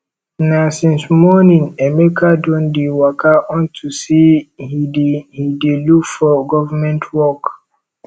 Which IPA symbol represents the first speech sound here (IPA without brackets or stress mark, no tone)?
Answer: n